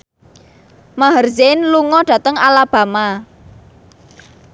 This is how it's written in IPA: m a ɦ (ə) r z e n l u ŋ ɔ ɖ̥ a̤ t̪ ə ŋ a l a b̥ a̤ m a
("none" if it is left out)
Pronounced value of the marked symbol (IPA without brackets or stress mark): ə